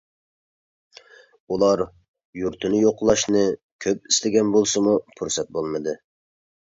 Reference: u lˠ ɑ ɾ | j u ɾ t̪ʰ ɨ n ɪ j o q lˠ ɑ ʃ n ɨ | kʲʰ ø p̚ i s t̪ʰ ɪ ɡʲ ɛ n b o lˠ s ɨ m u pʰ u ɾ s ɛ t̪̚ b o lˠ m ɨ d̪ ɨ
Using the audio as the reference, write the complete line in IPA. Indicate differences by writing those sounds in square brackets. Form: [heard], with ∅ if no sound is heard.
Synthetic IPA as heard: u lˠ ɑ ɾ | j u ɾ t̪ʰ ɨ n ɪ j o q lˠ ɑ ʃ n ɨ | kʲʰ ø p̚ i s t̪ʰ ɪ ɡʲ ɛ n b o lˠ s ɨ m u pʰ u ɾ s ɛ t̪̚ b o lˠ m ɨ d̪ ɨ